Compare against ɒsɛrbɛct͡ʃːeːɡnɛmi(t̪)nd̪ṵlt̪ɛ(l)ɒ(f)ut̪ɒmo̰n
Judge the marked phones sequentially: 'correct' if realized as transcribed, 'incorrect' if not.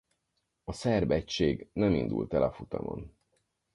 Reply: incorrect: none, correct, correct

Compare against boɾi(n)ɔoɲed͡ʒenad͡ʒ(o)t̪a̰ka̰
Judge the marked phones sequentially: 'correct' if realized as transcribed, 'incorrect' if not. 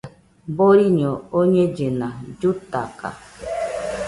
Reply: incorrect: ɲ, incorrect: u

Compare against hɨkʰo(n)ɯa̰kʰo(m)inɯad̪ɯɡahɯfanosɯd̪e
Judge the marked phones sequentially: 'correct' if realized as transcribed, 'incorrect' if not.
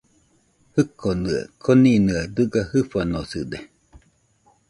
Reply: correct, incorrect: n

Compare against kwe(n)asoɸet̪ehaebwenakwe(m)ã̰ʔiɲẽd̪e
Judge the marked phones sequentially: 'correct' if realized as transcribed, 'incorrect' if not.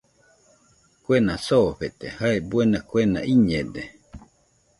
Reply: correct, incorrect: n

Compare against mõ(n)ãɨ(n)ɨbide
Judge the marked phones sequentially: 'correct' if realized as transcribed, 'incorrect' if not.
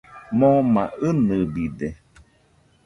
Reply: incorrect: m, correct

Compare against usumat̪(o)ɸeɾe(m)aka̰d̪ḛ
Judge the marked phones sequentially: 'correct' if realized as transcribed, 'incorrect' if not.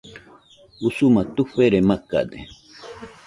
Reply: incorrect: u, correct

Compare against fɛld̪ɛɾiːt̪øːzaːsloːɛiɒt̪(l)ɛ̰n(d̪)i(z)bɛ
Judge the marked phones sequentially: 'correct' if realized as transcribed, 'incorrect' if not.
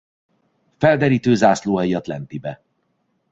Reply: correct, incorrect: t̪, incorrect: none

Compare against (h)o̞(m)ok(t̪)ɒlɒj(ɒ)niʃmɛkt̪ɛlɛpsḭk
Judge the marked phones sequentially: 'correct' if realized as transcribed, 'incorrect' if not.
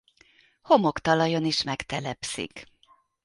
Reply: correct, correct, correct, incorrect: o

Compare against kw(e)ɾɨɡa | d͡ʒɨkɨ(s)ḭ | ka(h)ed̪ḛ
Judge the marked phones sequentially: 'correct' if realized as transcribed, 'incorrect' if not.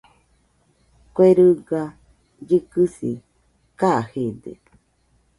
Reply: correct, correct, correct

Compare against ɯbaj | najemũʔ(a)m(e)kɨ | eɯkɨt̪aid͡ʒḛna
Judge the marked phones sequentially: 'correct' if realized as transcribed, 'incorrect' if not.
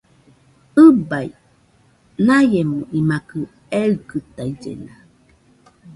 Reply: incorrect: i, incorrect: a

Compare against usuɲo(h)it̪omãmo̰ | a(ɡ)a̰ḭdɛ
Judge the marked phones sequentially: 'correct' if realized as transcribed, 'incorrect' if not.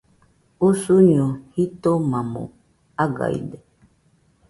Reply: correct, correct

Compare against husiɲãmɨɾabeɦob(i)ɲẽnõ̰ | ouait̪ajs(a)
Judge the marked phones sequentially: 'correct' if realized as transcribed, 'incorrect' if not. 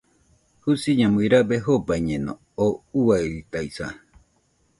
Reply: incorrect: a, correct

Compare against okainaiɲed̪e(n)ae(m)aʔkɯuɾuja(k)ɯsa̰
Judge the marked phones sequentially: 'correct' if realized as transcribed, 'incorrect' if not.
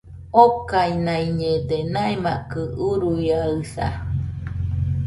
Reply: correct, correct, incorrect: none

